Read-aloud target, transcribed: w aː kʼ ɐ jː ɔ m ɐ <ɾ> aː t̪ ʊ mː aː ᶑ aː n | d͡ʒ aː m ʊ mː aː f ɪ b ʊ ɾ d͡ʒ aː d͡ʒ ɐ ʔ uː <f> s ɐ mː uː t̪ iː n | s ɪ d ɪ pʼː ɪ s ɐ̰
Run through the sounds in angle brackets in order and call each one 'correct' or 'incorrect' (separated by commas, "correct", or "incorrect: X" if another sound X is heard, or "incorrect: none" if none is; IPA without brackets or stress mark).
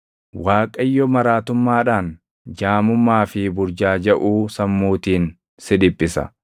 correct, incorrect: none